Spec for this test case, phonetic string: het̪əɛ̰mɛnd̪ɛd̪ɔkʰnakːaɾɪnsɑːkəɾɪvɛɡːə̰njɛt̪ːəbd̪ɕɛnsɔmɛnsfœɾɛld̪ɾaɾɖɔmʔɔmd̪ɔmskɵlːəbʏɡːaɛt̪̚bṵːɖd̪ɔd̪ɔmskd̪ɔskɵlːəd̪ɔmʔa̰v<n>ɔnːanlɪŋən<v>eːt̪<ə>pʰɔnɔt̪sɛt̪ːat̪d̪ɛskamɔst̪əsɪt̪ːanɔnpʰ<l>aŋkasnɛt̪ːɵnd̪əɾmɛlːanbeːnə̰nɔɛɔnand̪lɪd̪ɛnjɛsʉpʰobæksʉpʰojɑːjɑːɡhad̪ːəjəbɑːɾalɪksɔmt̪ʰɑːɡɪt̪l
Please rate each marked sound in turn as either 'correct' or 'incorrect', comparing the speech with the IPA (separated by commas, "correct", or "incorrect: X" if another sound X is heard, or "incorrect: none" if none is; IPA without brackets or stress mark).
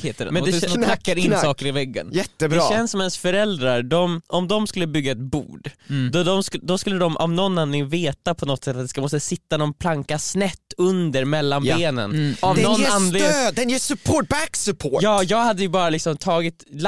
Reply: correct, correct, incorrect: a, correct